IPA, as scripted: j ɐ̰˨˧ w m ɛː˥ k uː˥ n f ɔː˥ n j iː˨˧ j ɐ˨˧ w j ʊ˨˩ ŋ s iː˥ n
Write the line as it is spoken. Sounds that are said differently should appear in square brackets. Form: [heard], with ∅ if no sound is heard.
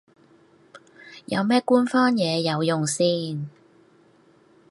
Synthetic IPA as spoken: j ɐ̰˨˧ w m ɛː˥ k uː˥ n f ɔː˥ n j [ɛː˨˧] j ɐ˨˧ w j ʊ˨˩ ŋ s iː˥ n